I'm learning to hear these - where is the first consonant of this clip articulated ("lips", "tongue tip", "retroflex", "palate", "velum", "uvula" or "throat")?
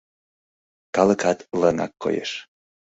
velum